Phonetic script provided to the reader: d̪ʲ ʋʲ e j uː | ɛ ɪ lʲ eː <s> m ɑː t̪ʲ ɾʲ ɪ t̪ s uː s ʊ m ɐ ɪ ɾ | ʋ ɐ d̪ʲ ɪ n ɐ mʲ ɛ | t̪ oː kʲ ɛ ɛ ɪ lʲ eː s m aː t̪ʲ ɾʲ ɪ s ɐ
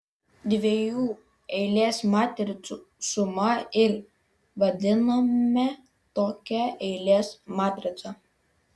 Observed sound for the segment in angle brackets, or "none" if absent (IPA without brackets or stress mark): s